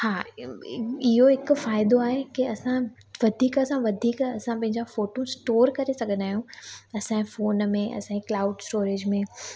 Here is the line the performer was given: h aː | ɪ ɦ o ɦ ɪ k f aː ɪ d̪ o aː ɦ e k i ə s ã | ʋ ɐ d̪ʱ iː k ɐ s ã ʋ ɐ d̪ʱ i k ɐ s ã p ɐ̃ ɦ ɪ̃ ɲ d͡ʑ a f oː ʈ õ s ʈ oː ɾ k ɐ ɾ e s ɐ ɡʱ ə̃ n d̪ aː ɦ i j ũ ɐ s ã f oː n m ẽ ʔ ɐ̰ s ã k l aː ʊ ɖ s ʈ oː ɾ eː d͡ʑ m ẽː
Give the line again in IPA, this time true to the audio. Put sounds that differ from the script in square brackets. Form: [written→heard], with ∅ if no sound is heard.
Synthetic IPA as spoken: h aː | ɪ ɦ o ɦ ɪ k f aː ɪ d̪ o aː ɦ e k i [ə→ɐ] s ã | ʋ ɐ d̪ʱ iː k ɐ s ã ʋ ɐ d̪ʱ [i→iː] k ɐ s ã p ɐ̃ ɦ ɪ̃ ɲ d͡ʑ a f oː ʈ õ s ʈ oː ɾ k ɐ ɾ e s ɐ ɡʱ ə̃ n d̪ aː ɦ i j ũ ɐ s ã f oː n m ẽ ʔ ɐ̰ s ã k l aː ʊ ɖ s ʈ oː ɾ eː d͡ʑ m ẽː